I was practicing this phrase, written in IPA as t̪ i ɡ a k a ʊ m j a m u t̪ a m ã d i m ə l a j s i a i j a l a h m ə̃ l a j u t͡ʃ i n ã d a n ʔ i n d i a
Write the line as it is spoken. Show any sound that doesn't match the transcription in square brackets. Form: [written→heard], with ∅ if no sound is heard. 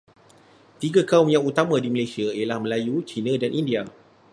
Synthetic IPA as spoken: t̪ i ɡ a k a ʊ m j a [m→ŋ] u t̪ a m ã d i m ə l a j s i a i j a l a h m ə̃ l a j u t͡ʃ i n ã d a n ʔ i n d i a